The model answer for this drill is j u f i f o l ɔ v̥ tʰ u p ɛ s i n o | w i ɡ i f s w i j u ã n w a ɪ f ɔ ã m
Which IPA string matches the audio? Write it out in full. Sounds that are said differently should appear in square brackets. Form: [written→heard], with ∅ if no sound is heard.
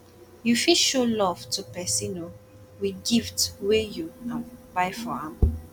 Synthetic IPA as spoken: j u f i [f→ʃ] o l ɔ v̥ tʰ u p ɛ s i n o | w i ɡ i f [s→t] w [i→e] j u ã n [w→b] a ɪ f ɔ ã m